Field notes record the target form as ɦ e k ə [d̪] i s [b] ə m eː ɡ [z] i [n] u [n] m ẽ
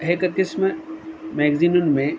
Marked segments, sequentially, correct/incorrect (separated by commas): incorrect, incorrect, correct, correct, correct